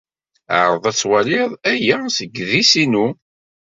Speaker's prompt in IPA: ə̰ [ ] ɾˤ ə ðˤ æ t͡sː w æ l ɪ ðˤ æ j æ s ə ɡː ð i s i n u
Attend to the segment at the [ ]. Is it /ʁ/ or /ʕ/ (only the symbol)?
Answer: ʕ